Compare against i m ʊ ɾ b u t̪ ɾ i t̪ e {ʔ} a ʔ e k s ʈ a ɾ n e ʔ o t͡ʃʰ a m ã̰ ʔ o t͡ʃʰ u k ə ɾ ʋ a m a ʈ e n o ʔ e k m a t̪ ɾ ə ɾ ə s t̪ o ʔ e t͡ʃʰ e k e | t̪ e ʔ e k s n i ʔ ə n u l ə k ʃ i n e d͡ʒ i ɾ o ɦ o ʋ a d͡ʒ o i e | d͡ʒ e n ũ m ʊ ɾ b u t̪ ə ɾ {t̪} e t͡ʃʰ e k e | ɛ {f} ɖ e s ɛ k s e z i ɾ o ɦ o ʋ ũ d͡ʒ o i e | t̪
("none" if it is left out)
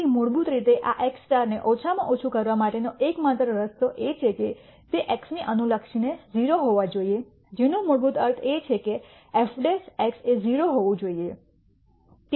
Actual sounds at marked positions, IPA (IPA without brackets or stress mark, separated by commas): ʔ, t̪ʰ, f